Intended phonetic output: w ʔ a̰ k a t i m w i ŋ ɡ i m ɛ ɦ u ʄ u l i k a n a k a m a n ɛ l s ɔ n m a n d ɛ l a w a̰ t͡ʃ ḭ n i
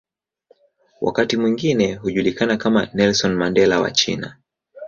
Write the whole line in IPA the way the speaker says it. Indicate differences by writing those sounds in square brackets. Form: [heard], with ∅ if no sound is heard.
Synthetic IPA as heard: w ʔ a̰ k a t i m w i ŋ ɡ i [n] ɛ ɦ u ʄ u l i k a n a k a m a n ɛ l s ɔ n m a n d ɛ l a w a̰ t͡ʃ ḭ n [a]